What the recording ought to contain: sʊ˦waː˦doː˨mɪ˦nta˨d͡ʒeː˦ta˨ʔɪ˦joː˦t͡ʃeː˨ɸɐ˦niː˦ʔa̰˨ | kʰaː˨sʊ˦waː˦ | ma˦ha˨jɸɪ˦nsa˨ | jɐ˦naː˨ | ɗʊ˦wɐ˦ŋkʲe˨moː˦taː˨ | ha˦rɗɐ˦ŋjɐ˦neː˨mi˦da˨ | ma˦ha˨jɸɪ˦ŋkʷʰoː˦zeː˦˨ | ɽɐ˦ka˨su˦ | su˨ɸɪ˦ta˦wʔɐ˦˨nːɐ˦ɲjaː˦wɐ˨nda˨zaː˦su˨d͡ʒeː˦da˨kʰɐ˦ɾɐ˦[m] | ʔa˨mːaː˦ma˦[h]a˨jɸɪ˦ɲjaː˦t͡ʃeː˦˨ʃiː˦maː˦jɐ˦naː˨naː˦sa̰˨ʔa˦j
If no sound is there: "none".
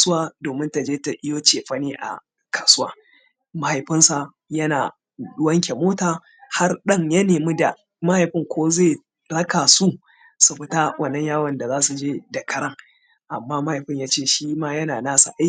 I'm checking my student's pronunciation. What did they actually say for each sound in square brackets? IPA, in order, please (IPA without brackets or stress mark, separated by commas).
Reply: ŋ, h